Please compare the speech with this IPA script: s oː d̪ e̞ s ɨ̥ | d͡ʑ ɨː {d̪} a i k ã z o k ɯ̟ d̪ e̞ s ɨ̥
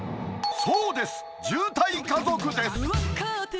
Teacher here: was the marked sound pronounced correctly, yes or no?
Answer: no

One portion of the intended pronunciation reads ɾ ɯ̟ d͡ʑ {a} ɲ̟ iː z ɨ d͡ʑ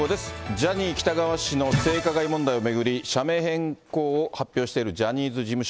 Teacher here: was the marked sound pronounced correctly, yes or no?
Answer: yes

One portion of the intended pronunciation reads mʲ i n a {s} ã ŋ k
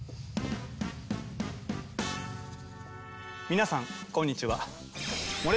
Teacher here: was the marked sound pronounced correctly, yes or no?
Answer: yes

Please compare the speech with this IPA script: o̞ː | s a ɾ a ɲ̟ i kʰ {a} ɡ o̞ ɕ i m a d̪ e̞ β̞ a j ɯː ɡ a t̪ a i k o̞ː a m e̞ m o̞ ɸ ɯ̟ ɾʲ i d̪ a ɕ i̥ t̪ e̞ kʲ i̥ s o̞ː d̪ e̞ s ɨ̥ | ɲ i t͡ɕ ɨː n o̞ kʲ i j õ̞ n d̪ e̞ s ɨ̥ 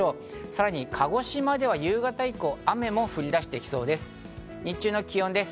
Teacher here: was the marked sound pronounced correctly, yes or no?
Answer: yes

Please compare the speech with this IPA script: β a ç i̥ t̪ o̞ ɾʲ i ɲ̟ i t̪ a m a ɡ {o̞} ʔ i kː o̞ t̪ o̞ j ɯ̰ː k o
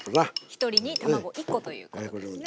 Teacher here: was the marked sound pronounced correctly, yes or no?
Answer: yes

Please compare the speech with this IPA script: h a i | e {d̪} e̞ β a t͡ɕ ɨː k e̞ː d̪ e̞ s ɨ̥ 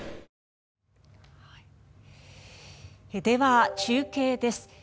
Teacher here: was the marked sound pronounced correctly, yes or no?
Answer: yes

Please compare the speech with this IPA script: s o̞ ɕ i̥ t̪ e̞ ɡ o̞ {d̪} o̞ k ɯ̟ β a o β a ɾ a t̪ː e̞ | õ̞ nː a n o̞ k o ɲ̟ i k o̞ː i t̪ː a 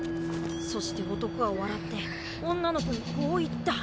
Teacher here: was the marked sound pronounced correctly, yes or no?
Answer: no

